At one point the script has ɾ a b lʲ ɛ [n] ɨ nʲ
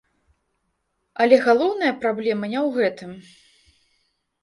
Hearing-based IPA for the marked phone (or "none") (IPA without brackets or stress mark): m